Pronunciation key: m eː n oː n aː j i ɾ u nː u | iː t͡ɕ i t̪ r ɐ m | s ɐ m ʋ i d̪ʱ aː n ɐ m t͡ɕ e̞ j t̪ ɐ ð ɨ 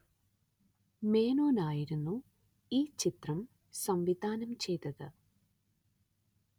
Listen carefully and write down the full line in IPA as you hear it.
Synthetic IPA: m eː n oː n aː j i ɾ u nː u | iː t͡ɕ i t̪ r ɐ m | s ɐ m ʋ i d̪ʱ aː n ɐ m t͡ɕ e̞ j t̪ ɐ ð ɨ